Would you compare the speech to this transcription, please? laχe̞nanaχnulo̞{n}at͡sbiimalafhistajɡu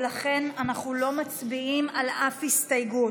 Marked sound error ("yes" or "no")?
yes